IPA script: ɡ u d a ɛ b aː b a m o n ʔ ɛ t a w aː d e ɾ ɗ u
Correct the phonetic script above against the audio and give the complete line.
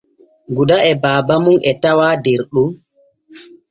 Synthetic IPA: ɡ u d a ɛ b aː b a m u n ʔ ɛ t a w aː d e ɾ ɗ u